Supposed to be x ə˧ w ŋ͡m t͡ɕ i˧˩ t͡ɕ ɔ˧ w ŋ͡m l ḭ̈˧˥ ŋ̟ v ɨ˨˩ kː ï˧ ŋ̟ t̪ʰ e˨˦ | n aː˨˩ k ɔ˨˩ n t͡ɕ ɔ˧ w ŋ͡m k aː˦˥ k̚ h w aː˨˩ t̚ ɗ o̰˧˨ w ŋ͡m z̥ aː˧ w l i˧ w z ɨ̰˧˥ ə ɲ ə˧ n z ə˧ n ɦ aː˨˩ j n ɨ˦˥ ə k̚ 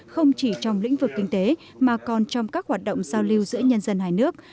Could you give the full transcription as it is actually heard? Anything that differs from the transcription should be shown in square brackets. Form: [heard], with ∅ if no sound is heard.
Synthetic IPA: x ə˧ w ŋ͡m t͡ɕ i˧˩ t͡ɕ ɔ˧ w ŋ͡m l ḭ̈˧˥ ŋ̟ v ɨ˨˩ kː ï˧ ŋ̟ [t̪] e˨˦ | [m] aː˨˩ k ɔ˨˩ n t͡ɕ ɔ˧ w ŋ͡m k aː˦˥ k̚ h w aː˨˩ t̚ ɗ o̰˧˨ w ŋ͡m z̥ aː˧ w l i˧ w z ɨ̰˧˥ ə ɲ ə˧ n z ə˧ n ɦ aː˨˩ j n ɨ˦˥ ə k̚